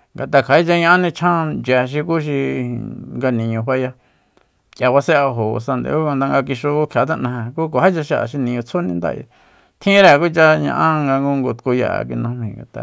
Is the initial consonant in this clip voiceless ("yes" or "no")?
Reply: no